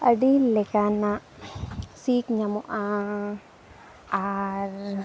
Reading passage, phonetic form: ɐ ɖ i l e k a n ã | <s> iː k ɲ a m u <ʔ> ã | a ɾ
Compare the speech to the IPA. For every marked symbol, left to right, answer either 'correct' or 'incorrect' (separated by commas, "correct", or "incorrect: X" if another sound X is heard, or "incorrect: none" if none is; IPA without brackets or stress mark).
correct, correct